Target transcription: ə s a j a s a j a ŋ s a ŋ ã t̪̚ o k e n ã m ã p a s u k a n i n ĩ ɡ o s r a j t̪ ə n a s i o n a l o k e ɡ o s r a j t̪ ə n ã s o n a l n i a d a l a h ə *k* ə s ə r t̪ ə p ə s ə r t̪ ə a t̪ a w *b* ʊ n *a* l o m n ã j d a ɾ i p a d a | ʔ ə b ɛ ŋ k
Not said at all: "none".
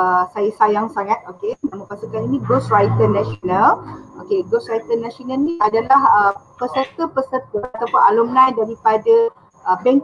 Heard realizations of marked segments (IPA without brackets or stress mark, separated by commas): p, p, a